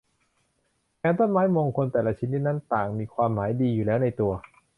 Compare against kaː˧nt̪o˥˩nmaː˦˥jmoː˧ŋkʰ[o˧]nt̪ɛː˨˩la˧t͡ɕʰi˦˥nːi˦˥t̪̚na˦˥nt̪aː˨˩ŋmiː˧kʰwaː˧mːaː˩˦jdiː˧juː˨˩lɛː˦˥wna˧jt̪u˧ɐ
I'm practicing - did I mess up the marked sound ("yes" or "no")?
no